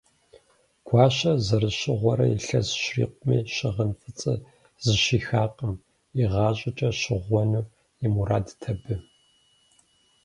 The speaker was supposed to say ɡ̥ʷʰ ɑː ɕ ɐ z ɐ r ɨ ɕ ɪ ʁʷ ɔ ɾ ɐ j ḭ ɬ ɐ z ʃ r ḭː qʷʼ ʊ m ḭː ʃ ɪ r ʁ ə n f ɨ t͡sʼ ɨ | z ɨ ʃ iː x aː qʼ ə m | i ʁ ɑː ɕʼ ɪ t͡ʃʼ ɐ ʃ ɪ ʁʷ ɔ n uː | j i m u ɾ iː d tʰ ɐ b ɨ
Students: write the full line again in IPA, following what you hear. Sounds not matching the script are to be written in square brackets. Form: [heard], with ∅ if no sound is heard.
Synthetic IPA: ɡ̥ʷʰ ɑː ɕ ɐ z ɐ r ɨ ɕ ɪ ʁʷ ɔ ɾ ɐ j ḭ ɬ ɐ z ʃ r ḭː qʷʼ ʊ m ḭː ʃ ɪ [∅] ʁ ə n f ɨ t͡sʼ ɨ | z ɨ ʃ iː x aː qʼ ə m | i ʁ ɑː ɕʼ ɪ t͡ʃʼ ɐ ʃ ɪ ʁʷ ɔ n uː | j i m u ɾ [aː] d tʰ ɐ b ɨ